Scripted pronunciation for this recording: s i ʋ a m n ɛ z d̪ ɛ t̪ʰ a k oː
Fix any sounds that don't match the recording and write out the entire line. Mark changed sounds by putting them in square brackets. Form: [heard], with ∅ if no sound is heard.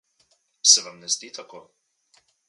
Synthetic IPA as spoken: s [ɛ] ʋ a m n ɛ z d̪ [i] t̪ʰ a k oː